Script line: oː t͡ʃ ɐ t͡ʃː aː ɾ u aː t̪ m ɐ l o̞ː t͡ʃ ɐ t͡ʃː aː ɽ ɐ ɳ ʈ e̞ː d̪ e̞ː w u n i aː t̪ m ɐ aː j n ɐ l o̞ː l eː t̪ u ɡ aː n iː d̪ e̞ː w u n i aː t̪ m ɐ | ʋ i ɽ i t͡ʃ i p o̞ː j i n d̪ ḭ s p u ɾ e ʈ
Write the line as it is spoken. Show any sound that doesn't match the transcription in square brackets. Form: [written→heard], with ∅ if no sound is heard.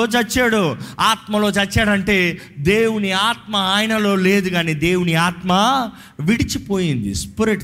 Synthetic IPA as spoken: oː t͡ʃ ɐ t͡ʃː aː [ɾ→ɽ] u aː t̪ m ɐ l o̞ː t͡ʃ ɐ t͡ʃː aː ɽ ɐ ɳ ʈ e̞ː d̪ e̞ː w u n i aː t̪ m ɐ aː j n ɐ l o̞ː l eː [t̪→d̪] u ɡ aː n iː d̪ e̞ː w u n i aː t̪ m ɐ | ʋ i ɽ i t͡ʃ i p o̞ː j i n d̪ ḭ s p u ɾ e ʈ